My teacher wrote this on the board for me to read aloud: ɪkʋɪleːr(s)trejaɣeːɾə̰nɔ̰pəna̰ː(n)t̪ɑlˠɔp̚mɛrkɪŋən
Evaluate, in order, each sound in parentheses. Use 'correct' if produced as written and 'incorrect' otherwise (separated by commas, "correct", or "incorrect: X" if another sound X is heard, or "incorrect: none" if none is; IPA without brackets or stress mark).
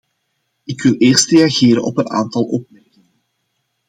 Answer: correct, correct